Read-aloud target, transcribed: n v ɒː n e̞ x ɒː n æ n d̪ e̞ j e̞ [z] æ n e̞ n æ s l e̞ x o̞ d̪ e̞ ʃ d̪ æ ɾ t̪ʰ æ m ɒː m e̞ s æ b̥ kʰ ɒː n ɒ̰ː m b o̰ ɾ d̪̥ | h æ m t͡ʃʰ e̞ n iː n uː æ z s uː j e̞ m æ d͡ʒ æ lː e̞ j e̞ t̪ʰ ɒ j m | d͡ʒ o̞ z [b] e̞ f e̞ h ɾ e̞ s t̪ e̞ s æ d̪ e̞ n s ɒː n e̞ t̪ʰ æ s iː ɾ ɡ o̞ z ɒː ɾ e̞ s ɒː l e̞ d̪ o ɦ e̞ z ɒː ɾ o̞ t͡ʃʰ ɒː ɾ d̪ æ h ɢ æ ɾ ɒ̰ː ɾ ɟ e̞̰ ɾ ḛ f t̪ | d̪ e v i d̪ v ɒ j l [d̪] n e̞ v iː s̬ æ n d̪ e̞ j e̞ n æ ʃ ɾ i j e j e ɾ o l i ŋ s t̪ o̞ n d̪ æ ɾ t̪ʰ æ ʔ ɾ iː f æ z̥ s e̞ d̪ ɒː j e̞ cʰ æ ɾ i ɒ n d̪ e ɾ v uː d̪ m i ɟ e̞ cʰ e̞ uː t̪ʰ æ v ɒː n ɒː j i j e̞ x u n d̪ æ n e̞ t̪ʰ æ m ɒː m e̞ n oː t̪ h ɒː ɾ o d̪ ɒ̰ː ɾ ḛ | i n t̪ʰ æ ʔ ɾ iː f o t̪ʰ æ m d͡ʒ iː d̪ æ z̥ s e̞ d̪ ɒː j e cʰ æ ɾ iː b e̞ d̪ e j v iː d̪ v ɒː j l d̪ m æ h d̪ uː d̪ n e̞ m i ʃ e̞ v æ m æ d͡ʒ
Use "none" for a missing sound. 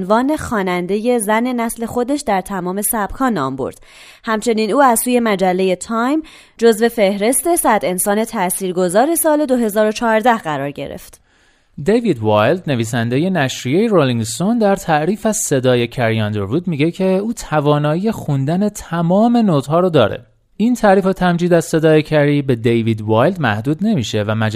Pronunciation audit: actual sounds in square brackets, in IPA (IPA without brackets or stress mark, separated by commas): z, v, d̪